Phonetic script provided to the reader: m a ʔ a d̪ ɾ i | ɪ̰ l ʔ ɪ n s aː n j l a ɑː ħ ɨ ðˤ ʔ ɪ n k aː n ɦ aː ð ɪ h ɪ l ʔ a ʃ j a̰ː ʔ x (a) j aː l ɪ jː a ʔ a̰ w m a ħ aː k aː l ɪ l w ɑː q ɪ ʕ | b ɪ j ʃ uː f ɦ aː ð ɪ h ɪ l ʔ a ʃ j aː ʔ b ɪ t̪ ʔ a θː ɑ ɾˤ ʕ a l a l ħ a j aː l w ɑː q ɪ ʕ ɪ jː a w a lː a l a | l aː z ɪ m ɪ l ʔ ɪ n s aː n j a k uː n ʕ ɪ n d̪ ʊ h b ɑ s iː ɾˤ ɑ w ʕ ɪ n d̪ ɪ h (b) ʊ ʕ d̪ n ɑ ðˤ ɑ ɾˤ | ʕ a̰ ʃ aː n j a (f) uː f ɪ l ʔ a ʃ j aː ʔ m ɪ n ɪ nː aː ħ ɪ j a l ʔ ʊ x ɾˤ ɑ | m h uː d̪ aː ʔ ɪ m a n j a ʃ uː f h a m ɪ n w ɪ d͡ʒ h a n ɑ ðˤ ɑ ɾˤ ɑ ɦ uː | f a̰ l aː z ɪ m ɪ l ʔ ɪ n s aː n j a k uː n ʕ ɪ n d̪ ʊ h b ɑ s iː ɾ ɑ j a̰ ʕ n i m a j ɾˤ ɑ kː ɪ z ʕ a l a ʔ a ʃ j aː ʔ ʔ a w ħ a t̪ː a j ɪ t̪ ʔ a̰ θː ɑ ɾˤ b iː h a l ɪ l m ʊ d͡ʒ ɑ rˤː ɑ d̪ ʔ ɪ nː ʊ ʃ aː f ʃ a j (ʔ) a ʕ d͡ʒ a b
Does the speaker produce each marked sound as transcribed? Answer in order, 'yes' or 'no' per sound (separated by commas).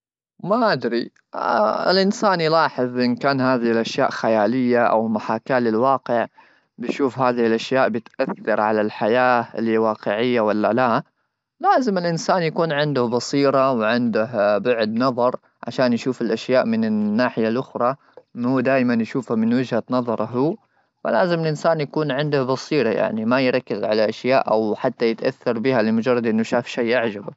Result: yes, yes, no, yes